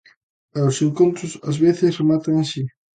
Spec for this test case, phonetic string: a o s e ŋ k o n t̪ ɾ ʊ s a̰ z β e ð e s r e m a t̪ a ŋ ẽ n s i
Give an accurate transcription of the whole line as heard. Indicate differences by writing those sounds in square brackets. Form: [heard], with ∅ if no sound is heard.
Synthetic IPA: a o s e ŋ k o n t̪ ɾ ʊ s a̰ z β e [θ] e s r e m a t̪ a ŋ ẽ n s i

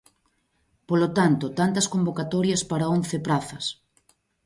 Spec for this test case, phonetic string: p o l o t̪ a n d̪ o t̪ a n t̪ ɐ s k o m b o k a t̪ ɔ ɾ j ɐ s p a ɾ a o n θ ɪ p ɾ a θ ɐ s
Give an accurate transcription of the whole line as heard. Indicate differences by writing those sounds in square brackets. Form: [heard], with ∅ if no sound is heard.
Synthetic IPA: p o l o t̪ a n [t̪] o t̪ a n t̪ ɐ s k o m b o k a t̪ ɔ ɾ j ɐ s p a ɾ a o n θ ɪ p ɾ a θ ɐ s

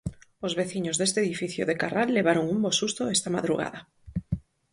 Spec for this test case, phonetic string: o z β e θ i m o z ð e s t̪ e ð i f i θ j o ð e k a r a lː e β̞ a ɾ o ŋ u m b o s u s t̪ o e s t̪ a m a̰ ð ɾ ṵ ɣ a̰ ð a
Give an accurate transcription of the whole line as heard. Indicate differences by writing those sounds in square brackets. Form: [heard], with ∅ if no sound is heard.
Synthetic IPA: o z β e θ i [ɲ] o z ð e s t̪ e ð i f i θ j o ð e k a r a lː e β̞ a ɾ o ŋ u m b o s u s t̪ o e s t̪ a m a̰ ð ɾ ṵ ɣ a̰ ð a

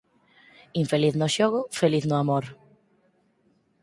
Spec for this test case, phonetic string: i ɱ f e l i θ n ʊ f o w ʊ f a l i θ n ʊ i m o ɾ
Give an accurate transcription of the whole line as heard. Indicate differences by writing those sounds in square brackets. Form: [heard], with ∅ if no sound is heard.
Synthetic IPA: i ɱ f e l i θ n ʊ [ʃ] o [ɣ] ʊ f [e] l i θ n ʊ [a] m o ɾ

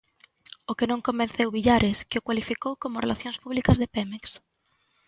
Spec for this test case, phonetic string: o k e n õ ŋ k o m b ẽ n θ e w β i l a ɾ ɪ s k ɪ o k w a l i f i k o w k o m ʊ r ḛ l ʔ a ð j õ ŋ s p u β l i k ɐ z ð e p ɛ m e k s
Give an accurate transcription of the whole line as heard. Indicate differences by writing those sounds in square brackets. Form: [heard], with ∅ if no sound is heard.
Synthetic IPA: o k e n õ ŋ k o m b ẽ n θ e w β i [ʎ] a ɾ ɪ s k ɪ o k w a l i f i k o w k o m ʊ r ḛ l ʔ a [θ] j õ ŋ s p u β l i k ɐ z ð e p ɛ m e k s

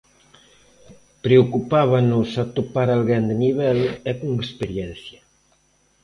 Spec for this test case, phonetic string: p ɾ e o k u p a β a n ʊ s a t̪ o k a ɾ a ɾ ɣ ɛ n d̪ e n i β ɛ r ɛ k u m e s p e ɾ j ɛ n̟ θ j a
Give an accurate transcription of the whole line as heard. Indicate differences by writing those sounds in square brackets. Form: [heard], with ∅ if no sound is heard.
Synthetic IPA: p ɾ e o k u p a β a n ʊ s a t̪ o [p] a ɾ a [l] ɣ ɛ n d̪ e n i β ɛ [l] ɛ k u [ŋ] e s p e ɾ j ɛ n̟ θ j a

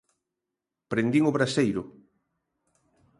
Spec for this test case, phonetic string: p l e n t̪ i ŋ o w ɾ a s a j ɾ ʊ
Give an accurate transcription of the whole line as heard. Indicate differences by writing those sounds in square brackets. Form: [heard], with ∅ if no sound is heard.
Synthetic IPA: p [ɾ] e n [d̪] i ŋ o [β] ɾ a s [e] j ɾ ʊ

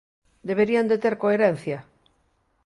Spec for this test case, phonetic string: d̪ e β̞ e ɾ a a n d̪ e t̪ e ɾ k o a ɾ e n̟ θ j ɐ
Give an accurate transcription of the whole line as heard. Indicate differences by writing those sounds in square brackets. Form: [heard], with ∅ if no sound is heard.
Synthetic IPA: d̪ e β̞ e ɾ [i] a n d̪ e t̪ e ɾ k o [e] ɾ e n̟ θ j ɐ

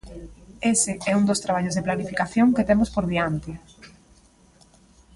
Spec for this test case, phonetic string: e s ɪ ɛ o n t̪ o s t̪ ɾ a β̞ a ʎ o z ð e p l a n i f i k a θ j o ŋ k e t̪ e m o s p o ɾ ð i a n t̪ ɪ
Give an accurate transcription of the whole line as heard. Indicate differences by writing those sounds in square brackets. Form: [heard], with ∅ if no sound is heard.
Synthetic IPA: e s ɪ ɛ [u] n [d̪] o s t̪ ɾ a β̞ a ʎ o z ð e p l a n i f i k a θ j o ŋ k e t̪ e m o s p o ɾ ð i a n t̪ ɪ

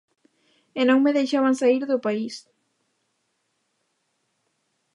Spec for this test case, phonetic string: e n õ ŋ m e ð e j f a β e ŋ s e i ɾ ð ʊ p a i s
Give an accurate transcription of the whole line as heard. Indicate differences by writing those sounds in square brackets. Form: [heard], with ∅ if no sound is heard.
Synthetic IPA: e n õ ŋ m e ð e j [ʃ] a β [a] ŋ s [a] i ɾ ð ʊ p a i s

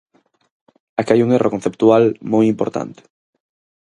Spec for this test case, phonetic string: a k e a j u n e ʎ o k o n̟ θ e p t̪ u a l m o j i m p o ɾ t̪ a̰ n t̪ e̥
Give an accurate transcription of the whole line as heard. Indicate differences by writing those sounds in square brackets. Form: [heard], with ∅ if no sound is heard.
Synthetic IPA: a k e a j u [ŋ] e [r] o k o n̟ θ e p t̪ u a l m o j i m p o ɾ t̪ a̰ n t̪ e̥

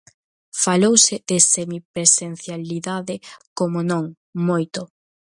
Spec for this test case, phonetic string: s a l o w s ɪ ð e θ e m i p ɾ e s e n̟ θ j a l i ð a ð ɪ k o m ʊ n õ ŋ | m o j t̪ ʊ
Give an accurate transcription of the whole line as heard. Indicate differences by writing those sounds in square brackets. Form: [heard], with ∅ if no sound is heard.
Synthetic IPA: [f] a l o w s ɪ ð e [s] e m i p ɾ e s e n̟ θ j a l i ð a ð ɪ k o m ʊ n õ ŋ | m o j t̪ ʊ

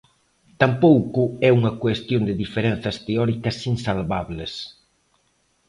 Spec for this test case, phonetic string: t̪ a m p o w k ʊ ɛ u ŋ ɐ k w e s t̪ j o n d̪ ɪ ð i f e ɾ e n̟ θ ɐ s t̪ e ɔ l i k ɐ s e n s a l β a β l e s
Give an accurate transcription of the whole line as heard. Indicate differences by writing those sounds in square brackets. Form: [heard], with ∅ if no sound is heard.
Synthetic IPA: t̪ a m p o w k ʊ ɛ u ŋ ɐ k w e s t̪ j o n d̪ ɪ ð i f e ɾ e n̟ θ ɐ s t̪ e ɔ [ɾ] i k ɐ s [i] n s a l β a β l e s

